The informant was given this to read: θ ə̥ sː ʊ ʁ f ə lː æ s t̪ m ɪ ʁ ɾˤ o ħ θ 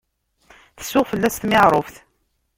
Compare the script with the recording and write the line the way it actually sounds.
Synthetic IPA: θ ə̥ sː ʊ ʁ f ə lː æ s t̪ m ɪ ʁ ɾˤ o f θ